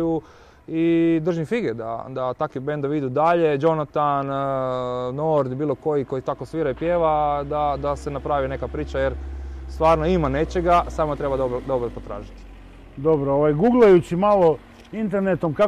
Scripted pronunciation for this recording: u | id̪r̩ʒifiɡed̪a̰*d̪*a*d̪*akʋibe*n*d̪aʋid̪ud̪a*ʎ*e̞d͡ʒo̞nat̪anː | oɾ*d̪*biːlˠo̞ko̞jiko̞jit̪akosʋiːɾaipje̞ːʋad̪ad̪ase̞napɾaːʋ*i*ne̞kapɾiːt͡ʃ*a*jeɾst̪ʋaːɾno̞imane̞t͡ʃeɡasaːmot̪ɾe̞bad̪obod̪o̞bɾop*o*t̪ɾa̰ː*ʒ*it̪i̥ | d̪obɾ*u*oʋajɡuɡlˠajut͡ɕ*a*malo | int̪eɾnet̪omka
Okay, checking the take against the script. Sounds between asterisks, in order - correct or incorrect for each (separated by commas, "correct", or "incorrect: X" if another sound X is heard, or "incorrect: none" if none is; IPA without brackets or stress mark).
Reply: correct, incorrect: t̪, correct, correct, correct, correct, correct, correct, correct, incorrect: o, incorrect: i